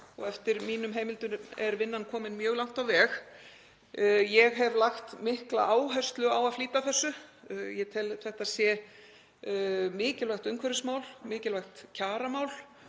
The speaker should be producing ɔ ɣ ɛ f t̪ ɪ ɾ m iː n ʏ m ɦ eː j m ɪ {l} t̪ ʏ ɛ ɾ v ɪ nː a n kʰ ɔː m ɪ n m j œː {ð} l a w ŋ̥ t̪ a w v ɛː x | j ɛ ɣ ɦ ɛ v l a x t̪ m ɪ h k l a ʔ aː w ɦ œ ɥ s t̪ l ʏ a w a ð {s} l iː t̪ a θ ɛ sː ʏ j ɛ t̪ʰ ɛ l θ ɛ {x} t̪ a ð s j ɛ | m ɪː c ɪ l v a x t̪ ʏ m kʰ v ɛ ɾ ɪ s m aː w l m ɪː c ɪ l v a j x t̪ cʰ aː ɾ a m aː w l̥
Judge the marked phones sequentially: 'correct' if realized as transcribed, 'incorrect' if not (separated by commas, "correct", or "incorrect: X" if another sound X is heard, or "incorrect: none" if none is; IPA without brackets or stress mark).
correct, incorrect: ɣ, incorrect: f, incorrect: h